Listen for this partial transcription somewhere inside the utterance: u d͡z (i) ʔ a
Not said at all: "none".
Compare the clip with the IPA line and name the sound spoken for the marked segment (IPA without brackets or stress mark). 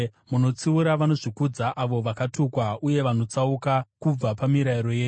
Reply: a